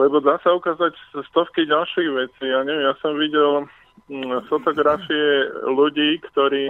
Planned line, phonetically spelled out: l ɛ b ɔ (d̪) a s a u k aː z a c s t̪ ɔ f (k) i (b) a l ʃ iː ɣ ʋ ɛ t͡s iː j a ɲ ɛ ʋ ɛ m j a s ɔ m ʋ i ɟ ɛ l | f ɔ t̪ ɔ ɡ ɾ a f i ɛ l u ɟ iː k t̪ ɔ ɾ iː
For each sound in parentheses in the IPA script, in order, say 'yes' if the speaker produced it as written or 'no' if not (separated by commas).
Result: yes, yes, no